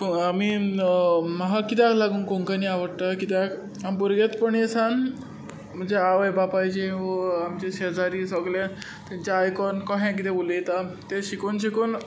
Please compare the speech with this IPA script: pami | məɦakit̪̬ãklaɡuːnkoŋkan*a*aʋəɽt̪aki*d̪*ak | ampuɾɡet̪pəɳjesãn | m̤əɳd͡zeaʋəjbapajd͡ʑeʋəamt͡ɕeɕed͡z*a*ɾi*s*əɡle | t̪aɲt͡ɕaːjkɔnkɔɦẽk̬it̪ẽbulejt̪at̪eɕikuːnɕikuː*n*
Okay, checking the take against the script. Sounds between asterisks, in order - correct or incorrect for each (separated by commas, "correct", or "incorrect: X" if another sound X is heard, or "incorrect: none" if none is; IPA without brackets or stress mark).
incorrect: i, incorrect: t̪, correct, correct, correct